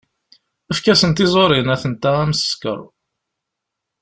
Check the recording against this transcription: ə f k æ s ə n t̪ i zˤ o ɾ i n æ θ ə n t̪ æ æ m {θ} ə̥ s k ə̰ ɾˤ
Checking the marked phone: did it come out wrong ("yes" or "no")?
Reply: yes